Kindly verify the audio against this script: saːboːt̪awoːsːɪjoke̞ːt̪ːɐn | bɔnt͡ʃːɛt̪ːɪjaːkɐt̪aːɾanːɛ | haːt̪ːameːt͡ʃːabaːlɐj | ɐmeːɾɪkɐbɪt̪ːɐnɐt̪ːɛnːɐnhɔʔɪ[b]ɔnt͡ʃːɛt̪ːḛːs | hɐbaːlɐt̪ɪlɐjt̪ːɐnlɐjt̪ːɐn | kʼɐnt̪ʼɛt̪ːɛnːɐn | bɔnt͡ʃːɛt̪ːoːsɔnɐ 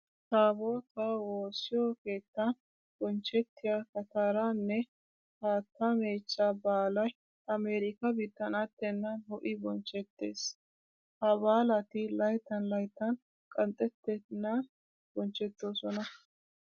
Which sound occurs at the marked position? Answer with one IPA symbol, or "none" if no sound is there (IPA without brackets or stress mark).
b